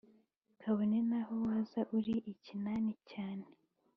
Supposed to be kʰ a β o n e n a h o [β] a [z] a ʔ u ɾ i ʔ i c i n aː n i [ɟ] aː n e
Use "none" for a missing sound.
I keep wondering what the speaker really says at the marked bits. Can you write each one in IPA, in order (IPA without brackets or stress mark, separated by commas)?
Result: w, z, c